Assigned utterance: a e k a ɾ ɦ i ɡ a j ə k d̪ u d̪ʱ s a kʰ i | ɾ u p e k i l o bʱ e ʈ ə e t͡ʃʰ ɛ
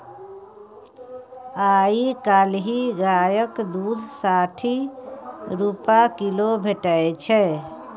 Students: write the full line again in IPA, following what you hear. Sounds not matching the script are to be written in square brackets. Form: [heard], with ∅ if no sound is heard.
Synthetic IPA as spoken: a [i] k a [l] ɦ i ɡ a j ə k d̪ u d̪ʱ s a [ʈʰ] i | ɾ u p [a] k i l o bʱ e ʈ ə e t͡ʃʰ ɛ